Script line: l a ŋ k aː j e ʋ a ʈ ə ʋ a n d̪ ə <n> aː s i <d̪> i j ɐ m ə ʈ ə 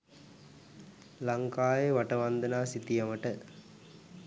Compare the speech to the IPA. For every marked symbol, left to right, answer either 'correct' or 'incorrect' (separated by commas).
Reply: correct, incorrect